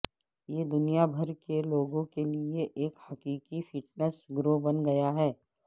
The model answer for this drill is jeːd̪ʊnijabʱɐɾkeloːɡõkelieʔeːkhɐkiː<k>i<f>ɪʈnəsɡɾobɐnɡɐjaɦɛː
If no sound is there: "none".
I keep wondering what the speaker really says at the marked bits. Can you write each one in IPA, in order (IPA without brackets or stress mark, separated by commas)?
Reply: k, f